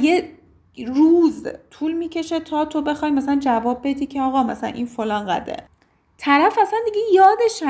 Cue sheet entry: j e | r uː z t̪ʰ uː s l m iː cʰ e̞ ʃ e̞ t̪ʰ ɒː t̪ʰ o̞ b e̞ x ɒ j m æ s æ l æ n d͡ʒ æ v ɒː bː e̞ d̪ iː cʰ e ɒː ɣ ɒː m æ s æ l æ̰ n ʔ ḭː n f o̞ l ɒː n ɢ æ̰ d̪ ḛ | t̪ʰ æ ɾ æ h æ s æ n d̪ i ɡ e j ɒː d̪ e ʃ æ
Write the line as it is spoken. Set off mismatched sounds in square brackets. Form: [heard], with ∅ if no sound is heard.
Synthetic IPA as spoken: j e | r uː z t̪ʰ uː [∅] l m iː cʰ e̞ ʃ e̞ t̪ʰ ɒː t̪ʰ o̞ b e̞ x ɒ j m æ s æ l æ n d͡ʒ æ v ɒː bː e̞ d̪ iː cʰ e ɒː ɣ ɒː m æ s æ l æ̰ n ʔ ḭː n f o̞ l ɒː n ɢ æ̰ d̪ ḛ | t̪ʰ æ ɾ æ [f] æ s æ n d̪ i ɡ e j ɒː d̪ e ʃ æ